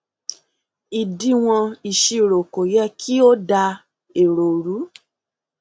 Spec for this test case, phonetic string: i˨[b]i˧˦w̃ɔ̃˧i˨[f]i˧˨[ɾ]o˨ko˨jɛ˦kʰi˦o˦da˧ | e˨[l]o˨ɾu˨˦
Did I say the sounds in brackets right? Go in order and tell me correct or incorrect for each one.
incorrect: d, incorrect: ʃ, correct, incorrect: ɾ

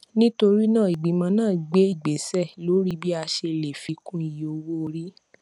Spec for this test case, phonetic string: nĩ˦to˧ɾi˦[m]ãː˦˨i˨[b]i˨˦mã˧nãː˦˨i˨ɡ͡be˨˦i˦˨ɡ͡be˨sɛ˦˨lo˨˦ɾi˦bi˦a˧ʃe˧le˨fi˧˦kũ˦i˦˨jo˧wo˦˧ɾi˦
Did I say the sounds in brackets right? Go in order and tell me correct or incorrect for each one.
incorrect: n, incorrect: ɡ͡b

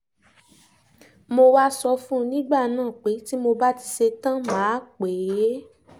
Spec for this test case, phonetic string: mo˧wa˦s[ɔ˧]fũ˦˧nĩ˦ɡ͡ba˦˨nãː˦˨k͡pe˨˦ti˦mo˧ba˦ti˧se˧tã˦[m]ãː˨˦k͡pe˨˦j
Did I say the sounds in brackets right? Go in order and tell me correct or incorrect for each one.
correct, correct

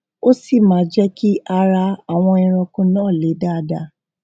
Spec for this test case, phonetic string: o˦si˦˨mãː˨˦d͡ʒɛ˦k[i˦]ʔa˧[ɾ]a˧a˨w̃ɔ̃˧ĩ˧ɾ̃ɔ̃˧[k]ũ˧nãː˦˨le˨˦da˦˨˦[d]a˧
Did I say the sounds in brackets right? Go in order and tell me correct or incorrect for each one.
correct, correct, correct, correct

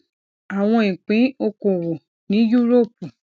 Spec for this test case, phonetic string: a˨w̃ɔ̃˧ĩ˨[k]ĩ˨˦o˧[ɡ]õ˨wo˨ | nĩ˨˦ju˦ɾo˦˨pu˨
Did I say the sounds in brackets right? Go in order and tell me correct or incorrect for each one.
incorrect: k͡p, incorrect: k

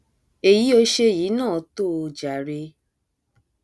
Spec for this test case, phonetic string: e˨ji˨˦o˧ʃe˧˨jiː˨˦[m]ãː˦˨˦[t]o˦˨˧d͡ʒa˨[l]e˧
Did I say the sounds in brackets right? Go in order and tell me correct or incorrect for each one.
incorrect: n, correct, incorrect: ɾ

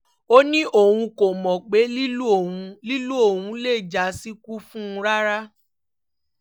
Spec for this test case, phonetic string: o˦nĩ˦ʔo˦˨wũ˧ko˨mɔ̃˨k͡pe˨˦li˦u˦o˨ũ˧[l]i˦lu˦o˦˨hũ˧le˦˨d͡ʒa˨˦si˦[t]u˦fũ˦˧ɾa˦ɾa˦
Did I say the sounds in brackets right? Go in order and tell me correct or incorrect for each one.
correct, incorrect: k

